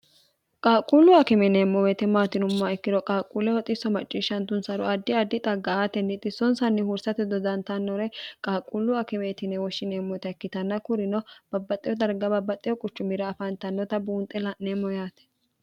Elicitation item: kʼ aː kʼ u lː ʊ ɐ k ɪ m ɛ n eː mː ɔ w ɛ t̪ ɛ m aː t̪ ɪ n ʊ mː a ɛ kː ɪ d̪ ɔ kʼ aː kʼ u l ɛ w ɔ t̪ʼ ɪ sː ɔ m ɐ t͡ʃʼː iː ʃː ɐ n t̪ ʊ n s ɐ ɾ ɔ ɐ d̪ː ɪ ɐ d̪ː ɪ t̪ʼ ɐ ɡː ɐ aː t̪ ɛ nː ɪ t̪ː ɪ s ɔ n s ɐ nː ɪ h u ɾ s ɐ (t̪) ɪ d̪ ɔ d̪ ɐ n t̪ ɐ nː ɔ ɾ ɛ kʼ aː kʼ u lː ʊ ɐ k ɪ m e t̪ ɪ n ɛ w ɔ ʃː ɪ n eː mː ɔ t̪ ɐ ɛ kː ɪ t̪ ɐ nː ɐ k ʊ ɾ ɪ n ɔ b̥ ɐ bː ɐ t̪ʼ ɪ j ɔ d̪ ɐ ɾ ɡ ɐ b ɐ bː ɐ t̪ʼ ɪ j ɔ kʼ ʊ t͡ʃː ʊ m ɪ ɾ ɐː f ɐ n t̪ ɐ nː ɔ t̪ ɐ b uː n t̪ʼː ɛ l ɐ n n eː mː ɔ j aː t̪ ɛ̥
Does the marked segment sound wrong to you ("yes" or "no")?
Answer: no